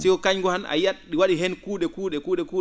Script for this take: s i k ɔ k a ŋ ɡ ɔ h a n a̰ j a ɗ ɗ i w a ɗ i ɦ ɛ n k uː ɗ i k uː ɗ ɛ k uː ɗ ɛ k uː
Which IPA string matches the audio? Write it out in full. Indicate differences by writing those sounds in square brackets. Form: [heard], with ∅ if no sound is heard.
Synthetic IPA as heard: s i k ɔ k a [ɲ] ɡ ɔ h a n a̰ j a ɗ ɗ i w a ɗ i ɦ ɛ n k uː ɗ [ɛ] k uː ɗ ɛ k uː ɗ ɛ k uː